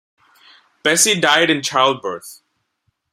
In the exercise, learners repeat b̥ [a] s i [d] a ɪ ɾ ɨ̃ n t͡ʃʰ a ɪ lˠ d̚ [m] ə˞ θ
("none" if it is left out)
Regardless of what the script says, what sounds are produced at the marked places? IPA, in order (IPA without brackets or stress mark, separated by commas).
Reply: ɛ, d, b